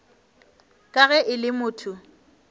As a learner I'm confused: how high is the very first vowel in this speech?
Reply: low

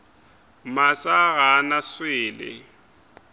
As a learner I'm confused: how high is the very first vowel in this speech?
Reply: low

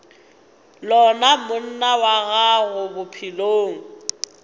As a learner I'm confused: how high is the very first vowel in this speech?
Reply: mid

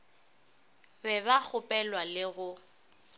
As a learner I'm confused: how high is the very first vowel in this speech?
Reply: mid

